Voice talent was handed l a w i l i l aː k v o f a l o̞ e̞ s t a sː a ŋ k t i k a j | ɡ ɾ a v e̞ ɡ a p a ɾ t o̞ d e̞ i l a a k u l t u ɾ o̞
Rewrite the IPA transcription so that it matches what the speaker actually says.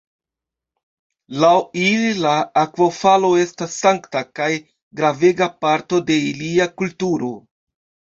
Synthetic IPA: l a w i l i l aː k v o f a l o̞ e̞ s t a sː a ŋ k t a k a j | ɡ ɾ a v e̞ ɡ a p a ɾ t o̞ d e̞ i l i a k u l t u ɾ o̞